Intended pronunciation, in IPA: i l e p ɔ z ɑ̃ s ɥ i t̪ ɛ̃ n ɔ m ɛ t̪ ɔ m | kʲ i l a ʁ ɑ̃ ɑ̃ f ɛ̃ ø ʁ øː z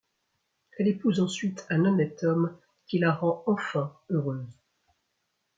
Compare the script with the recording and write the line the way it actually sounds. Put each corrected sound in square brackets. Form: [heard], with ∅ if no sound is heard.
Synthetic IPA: [ɛ] l e p [u] z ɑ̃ s ɥ i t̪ ɛ̃ n ɔ [n] ɛ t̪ ɔ m | kʲ i l a ʁ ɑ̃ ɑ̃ f ɛ̃ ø ʁ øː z